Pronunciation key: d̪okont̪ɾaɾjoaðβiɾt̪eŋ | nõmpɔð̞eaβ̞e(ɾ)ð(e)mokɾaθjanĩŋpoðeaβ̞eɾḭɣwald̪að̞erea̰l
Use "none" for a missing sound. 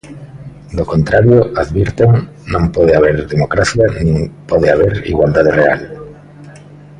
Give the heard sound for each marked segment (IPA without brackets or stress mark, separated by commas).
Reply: ɾ, e